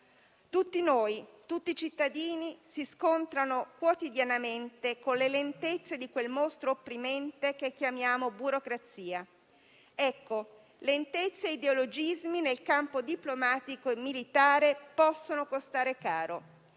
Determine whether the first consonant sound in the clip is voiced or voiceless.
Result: voiceless